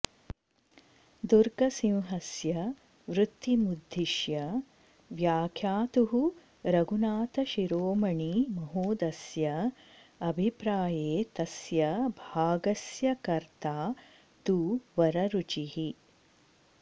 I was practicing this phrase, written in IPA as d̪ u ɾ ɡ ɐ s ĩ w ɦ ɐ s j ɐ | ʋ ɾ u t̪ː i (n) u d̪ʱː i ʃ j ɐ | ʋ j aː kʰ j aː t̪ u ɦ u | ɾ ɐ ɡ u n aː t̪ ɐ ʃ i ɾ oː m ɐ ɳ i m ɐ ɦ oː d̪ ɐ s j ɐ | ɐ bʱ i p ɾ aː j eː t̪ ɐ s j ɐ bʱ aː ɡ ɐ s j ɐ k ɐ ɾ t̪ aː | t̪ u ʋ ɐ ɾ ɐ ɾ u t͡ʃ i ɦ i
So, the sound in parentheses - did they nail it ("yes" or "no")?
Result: no